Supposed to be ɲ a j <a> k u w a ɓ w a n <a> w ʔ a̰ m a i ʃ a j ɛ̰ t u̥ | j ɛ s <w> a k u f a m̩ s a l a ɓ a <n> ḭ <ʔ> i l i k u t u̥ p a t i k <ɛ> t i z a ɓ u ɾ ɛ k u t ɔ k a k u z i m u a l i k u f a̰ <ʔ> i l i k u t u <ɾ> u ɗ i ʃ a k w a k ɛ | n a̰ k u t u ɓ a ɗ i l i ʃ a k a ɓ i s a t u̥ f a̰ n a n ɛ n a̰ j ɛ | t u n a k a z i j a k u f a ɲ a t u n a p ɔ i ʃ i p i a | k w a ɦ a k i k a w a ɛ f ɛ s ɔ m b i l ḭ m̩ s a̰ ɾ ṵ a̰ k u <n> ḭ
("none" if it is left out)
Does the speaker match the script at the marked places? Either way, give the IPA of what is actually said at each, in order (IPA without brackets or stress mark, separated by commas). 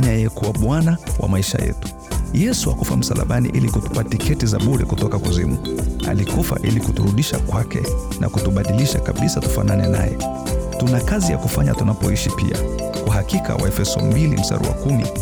ɛ, a, u, n, ʔ, ɛ, ʔ, ɾ, m